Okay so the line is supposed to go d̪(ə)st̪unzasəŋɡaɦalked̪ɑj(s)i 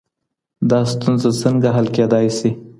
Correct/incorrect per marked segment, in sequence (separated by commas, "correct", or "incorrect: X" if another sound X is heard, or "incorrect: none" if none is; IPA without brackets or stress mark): incorrect: ɑ, correct